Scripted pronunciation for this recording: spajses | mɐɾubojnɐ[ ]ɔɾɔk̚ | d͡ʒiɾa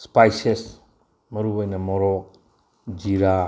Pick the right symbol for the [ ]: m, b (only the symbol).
m